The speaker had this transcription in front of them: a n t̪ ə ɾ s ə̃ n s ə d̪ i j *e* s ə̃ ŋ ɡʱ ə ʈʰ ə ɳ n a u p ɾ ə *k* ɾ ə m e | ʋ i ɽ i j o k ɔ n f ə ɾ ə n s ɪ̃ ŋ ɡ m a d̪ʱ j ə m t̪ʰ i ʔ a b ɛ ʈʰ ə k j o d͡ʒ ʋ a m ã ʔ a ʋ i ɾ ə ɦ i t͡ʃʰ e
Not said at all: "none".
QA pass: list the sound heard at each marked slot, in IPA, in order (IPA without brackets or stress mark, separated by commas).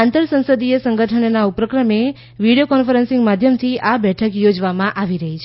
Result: e, k